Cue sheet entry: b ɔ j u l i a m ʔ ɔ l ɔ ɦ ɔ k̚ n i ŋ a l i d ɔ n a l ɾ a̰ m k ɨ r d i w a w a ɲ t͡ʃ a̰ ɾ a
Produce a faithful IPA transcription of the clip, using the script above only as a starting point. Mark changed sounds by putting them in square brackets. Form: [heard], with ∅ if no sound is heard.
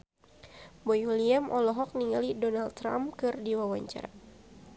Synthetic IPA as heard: b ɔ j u l i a m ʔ ɔ l ɔ ɦ ɔ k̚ n i ŋ a l i d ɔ n a l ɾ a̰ m k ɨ r d i w a w a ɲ t͡ʃ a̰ ɾ a